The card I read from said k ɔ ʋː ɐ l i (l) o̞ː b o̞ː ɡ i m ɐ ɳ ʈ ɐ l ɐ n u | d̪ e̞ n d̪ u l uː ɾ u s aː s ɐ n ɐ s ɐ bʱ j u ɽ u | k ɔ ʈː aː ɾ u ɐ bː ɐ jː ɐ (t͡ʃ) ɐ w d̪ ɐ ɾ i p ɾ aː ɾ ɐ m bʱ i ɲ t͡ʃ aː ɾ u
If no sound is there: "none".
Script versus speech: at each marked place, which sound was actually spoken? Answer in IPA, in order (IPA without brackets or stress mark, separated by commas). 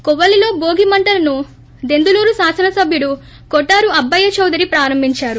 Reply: l, t͡ʃ